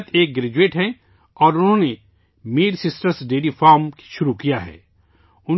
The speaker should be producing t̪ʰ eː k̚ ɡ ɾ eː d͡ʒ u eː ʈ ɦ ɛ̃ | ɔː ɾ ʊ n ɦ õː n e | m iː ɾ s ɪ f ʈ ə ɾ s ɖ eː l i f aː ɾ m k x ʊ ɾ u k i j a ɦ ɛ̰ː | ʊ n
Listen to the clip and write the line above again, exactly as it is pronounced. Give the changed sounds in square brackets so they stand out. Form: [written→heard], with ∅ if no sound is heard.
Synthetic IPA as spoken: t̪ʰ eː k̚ ɡ ɾ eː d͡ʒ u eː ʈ ɦ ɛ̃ | ɔː ɾ ʊ n ɦ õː n e | m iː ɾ s ɪ [f→s] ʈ ə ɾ s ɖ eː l i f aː ɾ m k [x→ʃ] ʊ ɾ u k i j a ɦ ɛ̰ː | ʊ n